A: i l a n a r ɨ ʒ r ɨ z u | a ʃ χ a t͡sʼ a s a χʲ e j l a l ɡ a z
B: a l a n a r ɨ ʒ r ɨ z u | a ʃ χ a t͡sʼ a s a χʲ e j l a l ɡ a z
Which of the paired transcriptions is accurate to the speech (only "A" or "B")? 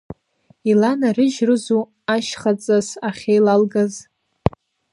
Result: A